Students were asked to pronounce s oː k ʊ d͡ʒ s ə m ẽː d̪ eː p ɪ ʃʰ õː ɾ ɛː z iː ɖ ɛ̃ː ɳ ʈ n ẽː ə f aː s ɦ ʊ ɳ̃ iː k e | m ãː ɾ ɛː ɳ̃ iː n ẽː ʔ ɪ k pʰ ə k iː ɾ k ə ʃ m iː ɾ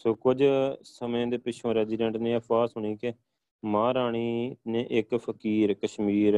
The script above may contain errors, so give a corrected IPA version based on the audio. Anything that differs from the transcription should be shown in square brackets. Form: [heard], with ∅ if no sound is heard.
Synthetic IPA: s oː k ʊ d͡ʒ s ə m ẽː d̪ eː p ɪ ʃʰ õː ɾ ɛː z iː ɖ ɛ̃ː ɳ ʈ n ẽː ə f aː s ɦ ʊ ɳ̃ iː k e | m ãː ɾ [aː] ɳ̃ iː n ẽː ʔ ɪ k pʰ ə k iː ɾ k ə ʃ m iː ɾ